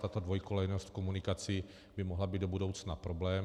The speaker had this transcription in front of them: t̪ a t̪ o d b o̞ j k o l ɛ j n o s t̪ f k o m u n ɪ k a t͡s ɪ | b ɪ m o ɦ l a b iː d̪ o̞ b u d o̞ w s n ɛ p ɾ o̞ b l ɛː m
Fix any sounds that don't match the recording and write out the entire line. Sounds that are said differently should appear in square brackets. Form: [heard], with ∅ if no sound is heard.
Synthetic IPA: t̪ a t̪ o d [v] o̞ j k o l ɛ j n o s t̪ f k o m u n ɪ k a t͡s ɪ | b ɪ m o ɦ l a b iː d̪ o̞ b u d o̞ w [t͡s] n [a] p ɾ o̞ b l ɛː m